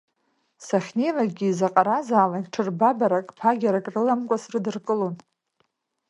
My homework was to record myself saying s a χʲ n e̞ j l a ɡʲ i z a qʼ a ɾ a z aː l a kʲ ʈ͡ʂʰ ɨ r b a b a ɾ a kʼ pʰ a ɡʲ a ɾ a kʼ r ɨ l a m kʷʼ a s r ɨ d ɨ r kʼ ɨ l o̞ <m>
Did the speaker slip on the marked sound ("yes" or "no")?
yes